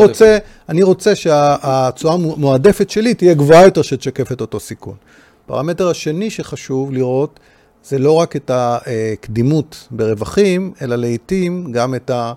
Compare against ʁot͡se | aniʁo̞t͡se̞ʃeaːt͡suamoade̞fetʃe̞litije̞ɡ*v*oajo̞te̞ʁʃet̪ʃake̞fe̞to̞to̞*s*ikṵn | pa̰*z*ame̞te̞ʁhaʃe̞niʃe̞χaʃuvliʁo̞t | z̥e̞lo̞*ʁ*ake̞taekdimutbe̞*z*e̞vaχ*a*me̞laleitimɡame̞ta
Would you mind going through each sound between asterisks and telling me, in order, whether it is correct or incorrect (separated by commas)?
correct, correct, incorrect, correct, incorrect, incorrect